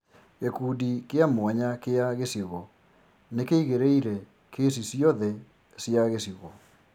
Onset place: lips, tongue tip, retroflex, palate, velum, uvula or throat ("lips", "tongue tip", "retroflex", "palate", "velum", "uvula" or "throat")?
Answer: velum